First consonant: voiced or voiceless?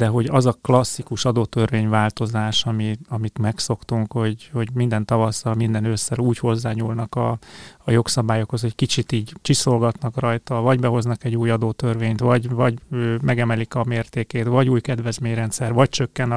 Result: voiced